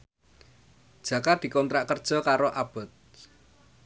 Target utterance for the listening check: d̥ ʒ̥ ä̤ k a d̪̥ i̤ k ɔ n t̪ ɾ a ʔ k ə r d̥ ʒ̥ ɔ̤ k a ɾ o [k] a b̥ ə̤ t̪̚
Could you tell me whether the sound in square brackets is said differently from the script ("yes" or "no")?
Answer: yes